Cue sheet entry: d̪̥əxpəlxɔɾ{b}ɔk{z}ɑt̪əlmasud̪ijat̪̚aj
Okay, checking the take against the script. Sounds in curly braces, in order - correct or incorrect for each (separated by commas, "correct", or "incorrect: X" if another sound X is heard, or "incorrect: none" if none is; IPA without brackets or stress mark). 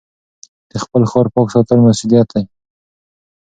incorrect: p, incorrect: s